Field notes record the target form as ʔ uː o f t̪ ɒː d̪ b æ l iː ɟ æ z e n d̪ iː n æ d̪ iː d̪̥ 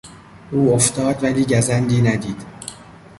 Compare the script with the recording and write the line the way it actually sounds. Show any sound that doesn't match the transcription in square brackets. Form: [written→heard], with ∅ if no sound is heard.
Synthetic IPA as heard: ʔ uː o f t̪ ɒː d̪ [b→v] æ l iː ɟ æ z [e→æ] n d̪ iː n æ d̪ iː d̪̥

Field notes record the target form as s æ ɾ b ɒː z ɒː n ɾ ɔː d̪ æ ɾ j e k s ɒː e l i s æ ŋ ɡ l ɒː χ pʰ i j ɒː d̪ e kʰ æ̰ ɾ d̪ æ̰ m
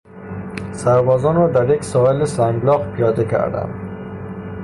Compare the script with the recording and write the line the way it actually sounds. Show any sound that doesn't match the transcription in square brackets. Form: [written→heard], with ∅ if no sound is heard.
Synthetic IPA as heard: s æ ɾ b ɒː z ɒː n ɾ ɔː d̪ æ ɾ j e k s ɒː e l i s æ ŋ ɡ l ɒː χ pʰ i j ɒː d̪ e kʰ æ̰ ɾ d̪ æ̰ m

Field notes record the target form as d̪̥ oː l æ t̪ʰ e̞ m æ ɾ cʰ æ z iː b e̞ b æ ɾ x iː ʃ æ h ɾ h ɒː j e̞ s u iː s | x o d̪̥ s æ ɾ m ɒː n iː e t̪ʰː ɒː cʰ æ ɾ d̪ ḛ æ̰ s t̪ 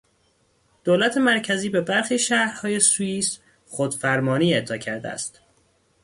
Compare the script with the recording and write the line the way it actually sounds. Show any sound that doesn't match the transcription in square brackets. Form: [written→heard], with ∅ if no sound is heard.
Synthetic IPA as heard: d̪̥ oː l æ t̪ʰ e̞ m æ ɾ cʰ æ z iː b e̞ b æ ɾ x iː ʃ æ h ɾ h ɒː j e̞ s u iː s | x o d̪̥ [s→f] æ ɾ m ɒː n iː e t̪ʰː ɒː cʰ æ ɾ d̪ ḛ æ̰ s t̪

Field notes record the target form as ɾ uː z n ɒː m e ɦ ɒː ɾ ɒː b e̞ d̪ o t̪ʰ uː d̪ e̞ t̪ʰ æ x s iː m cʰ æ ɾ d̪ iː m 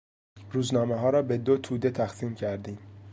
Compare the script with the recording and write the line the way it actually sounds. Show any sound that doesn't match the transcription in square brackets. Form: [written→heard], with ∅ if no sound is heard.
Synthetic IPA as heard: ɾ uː z n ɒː m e ɦ ɒː ɾ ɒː b e̞ d̪ o t̪ʰ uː d̪ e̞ t̪ʰ æ x s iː m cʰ æ ɾ d̪ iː m

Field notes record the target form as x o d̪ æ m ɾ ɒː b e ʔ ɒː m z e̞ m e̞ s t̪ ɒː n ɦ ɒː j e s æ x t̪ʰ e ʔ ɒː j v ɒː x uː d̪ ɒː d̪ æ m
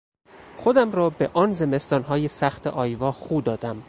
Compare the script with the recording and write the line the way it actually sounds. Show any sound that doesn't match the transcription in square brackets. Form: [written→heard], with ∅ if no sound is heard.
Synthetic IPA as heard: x o d̪ æ m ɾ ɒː b e ʔ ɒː [m→n] z e̞ m e̞ s t̪ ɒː n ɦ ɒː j e s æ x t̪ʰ e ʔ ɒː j v ɒː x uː d̪ ɒː d̪ æ m

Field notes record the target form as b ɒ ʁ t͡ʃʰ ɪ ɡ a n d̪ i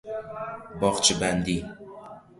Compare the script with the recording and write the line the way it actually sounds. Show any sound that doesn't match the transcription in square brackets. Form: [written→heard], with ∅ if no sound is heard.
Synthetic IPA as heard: b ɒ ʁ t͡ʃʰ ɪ [ɡ→b] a n d̪ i

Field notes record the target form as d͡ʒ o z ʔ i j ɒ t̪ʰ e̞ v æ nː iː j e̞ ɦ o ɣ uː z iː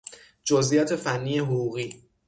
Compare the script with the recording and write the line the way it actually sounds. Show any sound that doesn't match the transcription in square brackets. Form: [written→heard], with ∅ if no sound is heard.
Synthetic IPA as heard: d͡ʒ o z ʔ i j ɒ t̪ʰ e̞ [v→f] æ nː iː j e̞ ɦ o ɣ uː [z→ɣ] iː

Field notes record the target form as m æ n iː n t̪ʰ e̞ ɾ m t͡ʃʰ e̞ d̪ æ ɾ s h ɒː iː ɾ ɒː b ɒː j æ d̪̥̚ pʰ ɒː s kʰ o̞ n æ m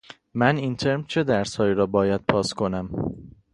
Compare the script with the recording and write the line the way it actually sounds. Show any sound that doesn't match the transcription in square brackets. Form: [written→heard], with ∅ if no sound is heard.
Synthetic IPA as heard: m æ n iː n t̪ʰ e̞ ɾ m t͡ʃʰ e̞ d̪ æ ɾ s h ɒː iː ɾ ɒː b ɒː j æ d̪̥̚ pʰ ɒː s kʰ o̞ n æ m

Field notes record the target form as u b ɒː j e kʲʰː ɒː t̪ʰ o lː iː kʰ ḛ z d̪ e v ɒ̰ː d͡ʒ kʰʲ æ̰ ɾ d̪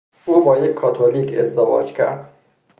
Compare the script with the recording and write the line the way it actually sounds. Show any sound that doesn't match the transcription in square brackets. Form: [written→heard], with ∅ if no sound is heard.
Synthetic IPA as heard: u b ɒː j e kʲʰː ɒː t̪ʰ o [lː→l] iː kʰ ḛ z d̪ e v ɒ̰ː d͡ʒ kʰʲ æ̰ ɾ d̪

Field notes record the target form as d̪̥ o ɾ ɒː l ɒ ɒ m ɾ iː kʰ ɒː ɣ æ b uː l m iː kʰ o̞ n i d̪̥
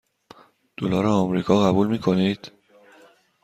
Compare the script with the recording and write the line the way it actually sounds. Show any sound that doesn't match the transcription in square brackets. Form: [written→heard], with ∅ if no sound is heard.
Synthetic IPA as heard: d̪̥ o [ɾ→l] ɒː [l→ɾ] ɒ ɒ m ɾ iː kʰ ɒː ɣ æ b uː l m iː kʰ o̞ n i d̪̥

